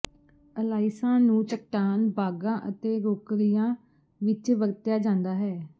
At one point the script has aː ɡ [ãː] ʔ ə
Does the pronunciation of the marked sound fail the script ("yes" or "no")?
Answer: no